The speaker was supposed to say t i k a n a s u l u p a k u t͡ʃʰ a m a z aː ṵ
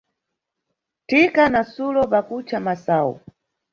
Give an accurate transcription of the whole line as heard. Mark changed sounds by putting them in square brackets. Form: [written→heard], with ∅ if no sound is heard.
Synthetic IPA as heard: t i k a n a s u l [u→ɔ] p a k u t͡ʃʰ a m a [z→s] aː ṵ